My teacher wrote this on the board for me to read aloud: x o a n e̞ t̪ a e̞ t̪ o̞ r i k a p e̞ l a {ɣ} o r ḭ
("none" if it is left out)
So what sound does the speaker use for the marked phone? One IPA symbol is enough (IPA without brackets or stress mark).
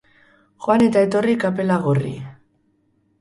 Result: ɣ